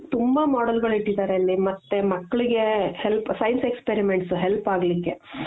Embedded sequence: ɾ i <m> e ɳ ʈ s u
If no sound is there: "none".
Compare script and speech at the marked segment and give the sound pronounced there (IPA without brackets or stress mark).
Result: m